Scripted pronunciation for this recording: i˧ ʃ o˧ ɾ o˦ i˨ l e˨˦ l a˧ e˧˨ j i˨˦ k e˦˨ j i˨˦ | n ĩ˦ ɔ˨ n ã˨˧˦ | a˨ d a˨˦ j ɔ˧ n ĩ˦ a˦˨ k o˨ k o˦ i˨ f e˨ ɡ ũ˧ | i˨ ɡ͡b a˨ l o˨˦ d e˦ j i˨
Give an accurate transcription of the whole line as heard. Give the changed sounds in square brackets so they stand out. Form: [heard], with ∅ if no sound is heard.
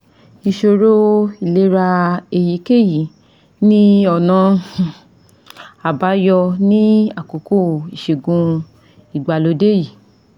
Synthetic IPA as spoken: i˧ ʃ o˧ ɾ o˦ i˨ l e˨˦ [ɾ] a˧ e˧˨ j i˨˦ k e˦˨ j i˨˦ | n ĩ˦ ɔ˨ n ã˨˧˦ | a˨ [b] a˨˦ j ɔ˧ n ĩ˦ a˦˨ k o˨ k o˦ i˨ [ʃ] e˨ ɡ ũ˧ | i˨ ɡ͡b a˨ l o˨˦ d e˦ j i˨